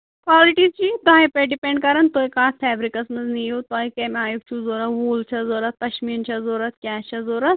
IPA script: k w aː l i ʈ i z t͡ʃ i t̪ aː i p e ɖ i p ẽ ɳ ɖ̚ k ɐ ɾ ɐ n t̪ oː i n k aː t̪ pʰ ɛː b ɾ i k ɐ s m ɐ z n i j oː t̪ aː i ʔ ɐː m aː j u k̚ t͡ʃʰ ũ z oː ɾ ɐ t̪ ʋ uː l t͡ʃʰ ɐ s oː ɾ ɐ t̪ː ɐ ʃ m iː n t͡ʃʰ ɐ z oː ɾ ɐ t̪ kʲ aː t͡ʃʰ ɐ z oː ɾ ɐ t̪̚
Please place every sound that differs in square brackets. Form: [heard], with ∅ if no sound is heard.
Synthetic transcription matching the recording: k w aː l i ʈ i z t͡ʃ i t̪ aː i p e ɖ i p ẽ ɳ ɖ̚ k ɐ ɾ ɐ n t̪ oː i [∅] k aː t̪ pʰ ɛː b ɾ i k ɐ s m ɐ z n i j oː t̪ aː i [k] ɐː m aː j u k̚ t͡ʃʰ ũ z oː ɾ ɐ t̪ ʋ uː l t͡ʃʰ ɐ [z] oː ɾ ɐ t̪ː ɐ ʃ m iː n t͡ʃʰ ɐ z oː ɾ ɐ t̪ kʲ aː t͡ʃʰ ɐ z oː ɾ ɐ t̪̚